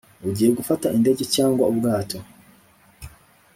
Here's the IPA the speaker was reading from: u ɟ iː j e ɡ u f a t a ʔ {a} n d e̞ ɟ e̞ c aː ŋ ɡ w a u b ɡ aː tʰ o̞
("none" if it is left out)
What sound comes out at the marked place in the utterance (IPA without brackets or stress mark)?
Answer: i